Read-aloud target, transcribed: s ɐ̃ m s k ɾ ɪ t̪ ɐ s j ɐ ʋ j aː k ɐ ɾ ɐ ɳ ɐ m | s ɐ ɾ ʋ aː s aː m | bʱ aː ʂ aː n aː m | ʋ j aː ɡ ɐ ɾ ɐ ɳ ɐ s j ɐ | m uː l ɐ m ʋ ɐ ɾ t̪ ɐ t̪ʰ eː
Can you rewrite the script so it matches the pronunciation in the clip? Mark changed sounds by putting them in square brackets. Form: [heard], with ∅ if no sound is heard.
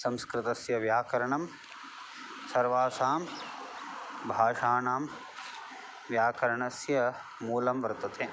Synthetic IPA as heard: s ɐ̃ m s k ɾ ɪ t̪ ɐ s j ɐ ʋ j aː k ɐ ɾ ɐ ɳ ɐ m | s ɐ ɾ ʋ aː s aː m | bʱ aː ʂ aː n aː m | ʋ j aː [k] ɐ ɾ ɐ ɳ ɐ s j ɐ | m uː l ɐ m ʋ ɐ ɾ t̪ ɐ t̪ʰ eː